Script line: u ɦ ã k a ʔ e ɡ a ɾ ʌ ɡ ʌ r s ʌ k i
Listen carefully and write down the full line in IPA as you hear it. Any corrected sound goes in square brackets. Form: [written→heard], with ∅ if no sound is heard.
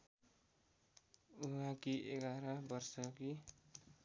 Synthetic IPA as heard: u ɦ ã k [a→i] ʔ e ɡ a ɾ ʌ [ɡ→b] ʌ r s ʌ k i